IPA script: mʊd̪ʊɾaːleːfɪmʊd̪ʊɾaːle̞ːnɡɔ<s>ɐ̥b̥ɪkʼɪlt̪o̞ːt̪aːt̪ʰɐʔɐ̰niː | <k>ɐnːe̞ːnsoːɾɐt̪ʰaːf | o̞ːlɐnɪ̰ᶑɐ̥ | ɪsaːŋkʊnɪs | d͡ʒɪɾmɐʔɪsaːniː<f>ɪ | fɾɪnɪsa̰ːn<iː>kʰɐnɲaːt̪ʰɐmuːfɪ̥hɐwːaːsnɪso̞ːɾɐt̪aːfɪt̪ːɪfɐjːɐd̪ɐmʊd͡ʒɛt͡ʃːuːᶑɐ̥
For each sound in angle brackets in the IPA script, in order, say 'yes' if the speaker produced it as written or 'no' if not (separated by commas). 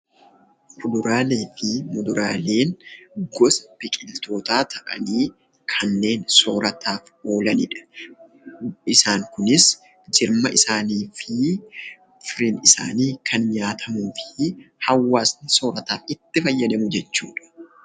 yes, no, yes, yes